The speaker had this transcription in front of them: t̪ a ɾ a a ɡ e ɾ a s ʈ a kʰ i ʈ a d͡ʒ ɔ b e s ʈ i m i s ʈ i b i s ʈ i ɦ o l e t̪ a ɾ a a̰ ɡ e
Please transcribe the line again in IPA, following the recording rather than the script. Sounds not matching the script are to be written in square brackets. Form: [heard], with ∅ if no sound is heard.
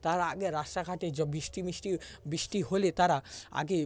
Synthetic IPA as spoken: t̪ a ɾ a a ɡ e ɾ a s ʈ a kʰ [a] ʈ [e] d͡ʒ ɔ b [i] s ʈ i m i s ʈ i b i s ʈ i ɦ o l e t̪ a ɾ a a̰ ɡ e